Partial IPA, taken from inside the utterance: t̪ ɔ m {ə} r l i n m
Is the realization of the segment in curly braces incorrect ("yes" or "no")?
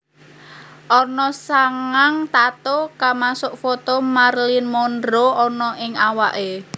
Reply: yes